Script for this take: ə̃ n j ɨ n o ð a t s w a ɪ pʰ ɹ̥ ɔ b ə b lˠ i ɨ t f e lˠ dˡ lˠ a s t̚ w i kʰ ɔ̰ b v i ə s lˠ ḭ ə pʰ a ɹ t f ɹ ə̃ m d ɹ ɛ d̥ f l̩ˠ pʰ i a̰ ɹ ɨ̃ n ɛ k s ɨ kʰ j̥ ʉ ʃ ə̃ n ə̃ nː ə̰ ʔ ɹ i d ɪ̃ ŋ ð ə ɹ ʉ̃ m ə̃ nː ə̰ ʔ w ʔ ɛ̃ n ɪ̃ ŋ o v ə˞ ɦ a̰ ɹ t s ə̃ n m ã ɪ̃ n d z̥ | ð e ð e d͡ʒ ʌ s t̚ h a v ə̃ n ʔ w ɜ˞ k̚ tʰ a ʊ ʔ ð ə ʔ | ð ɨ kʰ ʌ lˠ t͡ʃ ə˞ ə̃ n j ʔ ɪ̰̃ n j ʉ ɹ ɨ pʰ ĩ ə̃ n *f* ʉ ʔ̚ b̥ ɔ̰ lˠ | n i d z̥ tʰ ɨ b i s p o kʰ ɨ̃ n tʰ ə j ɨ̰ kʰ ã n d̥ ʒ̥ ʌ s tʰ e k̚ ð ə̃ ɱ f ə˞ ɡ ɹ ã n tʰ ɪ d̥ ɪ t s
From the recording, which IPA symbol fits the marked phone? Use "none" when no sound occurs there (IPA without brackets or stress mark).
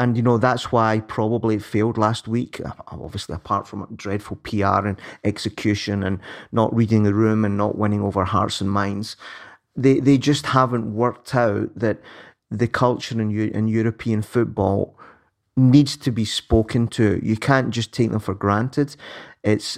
f